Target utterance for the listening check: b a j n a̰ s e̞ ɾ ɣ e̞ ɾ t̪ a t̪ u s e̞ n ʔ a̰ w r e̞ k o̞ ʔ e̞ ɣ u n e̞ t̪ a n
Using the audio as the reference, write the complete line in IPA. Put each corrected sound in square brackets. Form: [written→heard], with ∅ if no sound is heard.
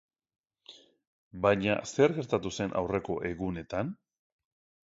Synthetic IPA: b a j [n→ɲ] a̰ s e̞ ɾ ɣ e̞ ɾ t̪ a t̪ u s e̞ n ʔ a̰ w r e̞ k o̞ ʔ e̞ ɣ u n e̞ t̪ a n